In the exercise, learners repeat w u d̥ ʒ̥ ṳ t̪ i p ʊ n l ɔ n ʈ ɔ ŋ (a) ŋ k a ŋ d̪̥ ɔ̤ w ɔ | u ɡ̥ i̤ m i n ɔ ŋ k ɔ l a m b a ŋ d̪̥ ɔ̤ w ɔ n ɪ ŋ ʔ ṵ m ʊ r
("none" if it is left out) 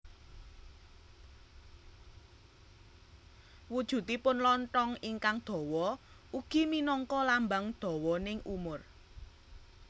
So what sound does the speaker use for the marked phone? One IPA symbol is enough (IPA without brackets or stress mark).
i